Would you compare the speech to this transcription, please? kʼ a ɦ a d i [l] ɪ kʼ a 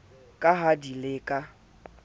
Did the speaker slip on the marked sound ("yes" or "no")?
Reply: no